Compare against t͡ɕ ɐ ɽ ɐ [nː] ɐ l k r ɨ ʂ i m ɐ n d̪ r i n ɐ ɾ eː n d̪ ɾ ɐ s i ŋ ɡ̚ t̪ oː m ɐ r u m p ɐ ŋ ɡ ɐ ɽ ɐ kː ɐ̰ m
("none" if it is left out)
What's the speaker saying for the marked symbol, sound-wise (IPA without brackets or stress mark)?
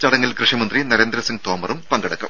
ŋː